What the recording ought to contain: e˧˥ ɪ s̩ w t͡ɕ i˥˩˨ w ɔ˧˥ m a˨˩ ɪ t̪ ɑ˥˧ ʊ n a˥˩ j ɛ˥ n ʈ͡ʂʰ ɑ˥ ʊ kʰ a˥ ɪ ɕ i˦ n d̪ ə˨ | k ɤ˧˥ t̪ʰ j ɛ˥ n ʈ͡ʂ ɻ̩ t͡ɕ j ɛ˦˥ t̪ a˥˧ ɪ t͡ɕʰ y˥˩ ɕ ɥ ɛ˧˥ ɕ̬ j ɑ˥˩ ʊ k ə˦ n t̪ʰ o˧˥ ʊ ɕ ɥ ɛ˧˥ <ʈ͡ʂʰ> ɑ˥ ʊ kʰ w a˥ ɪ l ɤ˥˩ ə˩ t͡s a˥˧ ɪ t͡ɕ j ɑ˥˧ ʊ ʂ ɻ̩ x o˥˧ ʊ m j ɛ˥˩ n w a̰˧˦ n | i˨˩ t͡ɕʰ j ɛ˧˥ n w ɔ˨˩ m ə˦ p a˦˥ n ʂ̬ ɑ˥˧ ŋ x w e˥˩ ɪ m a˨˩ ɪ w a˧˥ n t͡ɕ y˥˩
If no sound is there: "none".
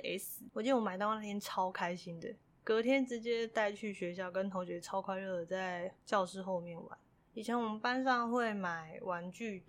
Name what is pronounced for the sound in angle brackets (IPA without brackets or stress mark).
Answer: ʈ͡ʂʰ